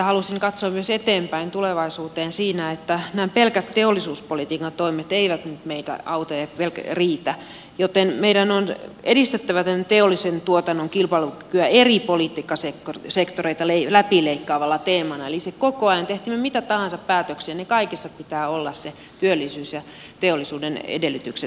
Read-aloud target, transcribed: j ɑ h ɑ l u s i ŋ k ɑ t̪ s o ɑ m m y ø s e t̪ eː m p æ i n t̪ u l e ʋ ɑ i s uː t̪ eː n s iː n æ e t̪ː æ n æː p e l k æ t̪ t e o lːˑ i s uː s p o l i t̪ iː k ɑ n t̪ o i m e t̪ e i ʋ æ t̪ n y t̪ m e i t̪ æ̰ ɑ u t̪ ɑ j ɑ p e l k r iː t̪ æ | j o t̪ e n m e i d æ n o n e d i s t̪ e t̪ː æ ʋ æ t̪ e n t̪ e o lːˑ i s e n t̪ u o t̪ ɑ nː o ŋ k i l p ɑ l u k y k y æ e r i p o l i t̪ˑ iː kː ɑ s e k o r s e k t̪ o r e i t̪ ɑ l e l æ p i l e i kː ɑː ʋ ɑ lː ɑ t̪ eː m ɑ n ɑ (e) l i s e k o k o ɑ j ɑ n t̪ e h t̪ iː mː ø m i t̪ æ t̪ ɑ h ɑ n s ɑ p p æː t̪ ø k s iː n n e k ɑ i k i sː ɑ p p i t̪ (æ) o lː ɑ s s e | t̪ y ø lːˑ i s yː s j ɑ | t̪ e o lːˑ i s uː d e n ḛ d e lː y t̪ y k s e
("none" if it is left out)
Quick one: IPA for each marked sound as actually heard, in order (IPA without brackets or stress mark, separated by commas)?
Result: e, æː